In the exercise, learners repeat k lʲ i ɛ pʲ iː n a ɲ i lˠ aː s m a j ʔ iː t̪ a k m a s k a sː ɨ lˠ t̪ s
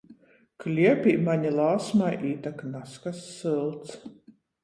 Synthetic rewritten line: k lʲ i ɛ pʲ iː m a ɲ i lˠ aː s m a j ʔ iː t̪ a k n a s k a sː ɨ lˠ t̪ s